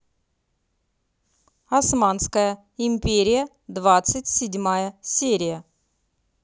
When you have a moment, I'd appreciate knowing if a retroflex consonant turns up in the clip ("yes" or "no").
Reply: no